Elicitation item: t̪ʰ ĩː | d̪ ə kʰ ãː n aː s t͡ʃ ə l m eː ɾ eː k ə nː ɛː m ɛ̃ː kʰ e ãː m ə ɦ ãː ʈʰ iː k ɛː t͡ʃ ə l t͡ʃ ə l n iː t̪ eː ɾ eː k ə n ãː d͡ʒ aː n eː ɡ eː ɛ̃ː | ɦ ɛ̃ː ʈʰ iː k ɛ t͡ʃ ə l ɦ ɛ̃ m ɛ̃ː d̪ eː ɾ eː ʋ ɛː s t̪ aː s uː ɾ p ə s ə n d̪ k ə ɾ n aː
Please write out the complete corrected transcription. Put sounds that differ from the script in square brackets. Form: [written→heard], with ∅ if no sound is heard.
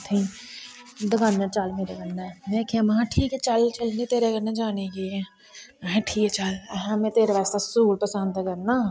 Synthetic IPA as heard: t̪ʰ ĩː | d̪ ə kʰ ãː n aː [s→∅] t͡ʃ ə l m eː ɾ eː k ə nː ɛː m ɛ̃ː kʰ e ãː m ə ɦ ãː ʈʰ iː k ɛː t͡ʃ ə l t͡ʃ ə l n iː t̪ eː ɾ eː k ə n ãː d͡ʒ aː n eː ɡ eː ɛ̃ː | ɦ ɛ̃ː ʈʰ iː k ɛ t͡ʃ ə l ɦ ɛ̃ m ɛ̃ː [d̪→t̪] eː ɾ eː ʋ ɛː s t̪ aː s uː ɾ p ə s ə n d̪ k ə ɾ n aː